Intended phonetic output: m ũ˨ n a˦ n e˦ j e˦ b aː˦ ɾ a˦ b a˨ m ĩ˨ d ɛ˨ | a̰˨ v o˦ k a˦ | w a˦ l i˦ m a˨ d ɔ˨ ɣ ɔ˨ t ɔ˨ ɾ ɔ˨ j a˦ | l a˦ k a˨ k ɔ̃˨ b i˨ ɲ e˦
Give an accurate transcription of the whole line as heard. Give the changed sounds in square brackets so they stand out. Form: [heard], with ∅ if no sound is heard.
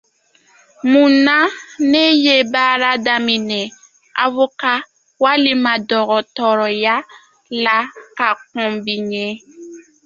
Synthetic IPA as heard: m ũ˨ n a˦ n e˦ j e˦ b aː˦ ɾ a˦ [d] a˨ m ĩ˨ [n] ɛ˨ | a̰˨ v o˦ k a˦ | w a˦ l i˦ m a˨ d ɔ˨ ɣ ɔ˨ t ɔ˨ ɾ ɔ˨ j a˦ | l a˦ k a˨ k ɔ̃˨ b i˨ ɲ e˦